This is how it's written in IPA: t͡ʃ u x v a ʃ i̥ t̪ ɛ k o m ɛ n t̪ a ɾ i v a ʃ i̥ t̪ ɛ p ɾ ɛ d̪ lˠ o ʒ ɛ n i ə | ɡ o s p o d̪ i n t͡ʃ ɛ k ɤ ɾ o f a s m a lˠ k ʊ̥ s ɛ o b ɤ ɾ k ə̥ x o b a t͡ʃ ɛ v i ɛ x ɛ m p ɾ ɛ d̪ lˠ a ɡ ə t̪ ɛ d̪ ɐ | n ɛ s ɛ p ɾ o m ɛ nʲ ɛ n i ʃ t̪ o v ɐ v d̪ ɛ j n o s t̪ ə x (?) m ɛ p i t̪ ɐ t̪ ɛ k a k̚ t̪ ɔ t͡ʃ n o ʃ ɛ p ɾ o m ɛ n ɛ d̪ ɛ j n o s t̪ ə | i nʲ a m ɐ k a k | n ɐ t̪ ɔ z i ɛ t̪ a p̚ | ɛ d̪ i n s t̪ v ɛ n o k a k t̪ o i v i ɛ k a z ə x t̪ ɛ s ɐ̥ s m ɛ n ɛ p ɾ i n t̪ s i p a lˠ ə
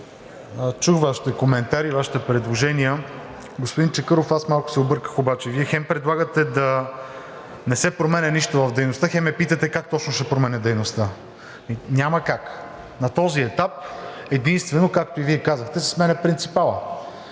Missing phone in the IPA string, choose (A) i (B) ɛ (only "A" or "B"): B